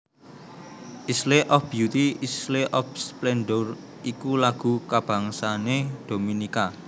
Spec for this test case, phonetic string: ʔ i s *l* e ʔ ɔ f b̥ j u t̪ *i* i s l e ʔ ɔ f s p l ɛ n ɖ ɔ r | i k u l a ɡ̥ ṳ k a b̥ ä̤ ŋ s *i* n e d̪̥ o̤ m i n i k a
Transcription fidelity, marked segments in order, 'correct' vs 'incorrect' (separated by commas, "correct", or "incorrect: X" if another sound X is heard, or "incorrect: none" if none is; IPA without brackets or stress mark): correct, correct, incorrect: a